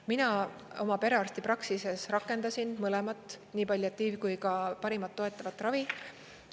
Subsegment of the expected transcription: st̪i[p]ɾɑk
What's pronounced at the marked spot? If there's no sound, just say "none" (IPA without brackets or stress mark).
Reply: p